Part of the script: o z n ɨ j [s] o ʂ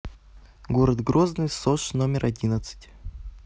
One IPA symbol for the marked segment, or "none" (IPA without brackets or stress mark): s